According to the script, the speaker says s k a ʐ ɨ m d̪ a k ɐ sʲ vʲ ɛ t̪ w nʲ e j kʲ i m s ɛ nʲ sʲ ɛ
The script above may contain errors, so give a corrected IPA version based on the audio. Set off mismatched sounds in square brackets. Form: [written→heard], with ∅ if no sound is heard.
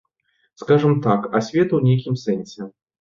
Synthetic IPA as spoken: s k a ʐ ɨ m [d̪→t̪] a k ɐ sʲ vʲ ɛ t̪ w nʲ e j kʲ i m s ɛ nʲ sʲ ɛ